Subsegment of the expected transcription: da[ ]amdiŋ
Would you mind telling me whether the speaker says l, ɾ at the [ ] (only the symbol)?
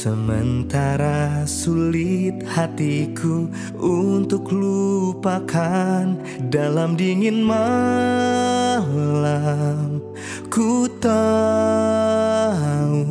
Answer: l